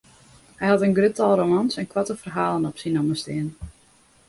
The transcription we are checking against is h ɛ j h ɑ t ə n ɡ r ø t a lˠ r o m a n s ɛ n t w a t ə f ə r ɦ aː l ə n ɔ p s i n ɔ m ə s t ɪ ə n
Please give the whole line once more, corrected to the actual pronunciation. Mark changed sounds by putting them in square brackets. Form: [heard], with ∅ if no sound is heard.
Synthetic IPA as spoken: h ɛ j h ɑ t ə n ɡ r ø t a lˠ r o m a n s ɛ n [k] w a t ə f ə r ɦ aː l ə n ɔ p s i n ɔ m ə s t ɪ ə n